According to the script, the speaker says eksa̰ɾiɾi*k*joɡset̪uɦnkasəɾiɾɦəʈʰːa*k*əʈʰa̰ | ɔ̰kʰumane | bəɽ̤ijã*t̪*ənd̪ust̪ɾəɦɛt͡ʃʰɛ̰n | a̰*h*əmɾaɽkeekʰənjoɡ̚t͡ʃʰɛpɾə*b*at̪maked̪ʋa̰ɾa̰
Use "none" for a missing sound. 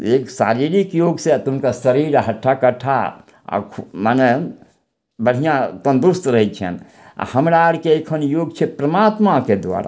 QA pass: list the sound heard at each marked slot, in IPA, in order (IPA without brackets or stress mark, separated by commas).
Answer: k, k, t̪, h, m